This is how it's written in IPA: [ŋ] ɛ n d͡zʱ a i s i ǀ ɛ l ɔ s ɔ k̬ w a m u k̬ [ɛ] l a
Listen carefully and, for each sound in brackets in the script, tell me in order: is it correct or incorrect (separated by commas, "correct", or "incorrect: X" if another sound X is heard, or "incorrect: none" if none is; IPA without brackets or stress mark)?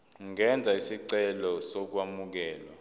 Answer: correct, incorrect: ɛː